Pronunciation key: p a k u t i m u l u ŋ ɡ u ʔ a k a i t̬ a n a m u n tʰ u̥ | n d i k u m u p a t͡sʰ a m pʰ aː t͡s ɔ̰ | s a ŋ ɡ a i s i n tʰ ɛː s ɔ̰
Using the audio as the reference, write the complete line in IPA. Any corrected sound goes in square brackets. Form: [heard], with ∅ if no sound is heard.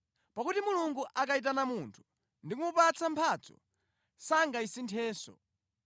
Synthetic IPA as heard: p a k u t i m u l u ŋ ɡ u ʔ a k a i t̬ a n a m u n tʰ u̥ | n d i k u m u p a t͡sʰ a m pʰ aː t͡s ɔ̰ | s a ŋ ɡ a i s i n tʰ ɛː s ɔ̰